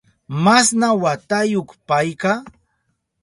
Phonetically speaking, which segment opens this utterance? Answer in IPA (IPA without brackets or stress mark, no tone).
m